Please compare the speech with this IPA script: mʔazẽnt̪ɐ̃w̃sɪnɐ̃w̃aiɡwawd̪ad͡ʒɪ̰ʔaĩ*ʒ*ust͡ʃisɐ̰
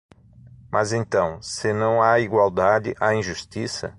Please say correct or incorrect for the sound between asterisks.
correct